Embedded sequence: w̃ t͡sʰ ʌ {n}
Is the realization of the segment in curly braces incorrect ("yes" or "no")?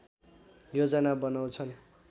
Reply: no